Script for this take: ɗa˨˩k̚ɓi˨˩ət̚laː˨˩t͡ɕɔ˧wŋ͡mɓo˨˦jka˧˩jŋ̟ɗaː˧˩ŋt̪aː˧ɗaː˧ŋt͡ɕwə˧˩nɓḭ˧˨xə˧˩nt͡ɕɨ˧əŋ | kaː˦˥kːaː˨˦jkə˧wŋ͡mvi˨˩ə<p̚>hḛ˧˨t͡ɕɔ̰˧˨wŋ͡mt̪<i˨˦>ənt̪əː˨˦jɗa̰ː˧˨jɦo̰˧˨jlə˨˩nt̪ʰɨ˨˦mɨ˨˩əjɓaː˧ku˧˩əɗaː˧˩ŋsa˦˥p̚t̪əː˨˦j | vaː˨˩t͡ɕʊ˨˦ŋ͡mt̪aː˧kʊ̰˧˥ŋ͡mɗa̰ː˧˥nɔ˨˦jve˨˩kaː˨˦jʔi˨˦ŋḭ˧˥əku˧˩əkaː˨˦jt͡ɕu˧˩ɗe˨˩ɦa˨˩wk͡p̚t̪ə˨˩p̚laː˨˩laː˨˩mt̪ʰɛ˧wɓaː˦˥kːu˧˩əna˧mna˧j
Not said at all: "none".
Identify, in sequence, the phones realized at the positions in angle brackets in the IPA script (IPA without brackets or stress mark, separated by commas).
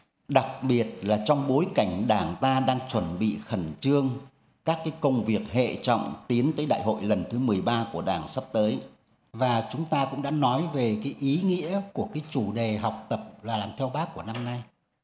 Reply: k̚, i˨˦